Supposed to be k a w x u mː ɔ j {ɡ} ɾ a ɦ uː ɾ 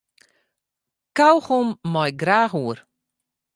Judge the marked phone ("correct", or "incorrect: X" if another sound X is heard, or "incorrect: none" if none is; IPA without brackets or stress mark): correct